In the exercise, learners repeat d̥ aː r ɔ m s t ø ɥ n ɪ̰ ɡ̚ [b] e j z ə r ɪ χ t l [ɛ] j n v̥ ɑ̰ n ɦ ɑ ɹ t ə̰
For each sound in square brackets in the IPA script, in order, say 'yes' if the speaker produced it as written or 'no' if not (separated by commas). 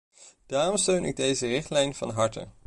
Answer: no, yes